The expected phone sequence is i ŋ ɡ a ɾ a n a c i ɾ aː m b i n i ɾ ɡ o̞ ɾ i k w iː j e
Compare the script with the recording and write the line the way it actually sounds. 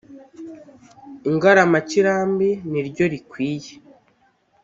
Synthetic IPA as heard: i ŋ ɡ a ɾ a m a c i ɾ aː m b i n i ɾ ɟ o̞ ɾ i k w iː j e